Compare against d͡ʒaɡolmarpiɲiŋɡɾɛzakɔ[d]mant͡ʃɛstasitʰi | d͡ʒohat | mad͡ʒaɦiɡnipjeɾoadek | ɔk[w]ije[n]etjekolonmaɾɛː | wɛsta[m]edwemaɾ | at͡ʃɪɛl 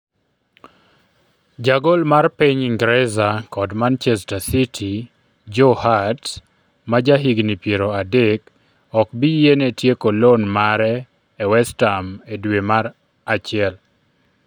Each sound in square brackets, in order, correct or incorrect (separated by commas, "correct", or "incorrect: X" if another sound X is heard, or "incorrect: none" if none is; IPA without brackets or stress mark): correct, incorrect: b, correct, correct